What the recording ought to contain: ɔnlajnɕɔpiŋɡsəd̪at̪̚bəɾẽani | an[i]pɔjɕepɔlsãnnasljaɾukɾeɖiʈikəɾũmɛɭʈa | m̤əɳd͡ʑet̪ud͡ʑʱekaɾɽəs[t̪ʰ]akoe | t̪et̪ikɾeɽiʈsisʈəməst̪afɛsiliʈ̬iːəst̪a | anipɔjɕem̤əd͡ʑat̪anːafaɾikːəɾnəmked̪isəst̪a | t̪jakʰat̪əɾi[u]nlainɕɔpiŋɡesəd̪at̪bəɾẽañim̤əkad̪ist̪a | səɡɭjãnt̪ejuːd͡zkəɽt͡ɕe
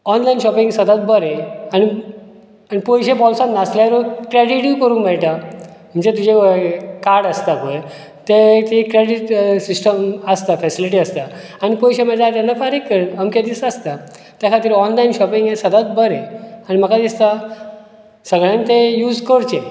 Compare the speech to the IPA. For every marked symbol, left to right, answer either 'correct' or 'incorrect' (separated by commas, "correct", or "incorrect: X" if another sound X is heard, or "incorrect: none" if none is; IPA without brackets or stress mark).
correct, incorrect: t̪, incorrect: ɔ